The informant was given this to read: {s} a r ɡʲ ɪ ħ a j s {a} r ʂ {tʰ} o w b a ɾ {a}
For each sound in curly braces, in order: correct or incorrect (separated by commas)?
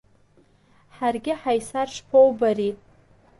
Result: incorrect, correct, incorrect, incorrect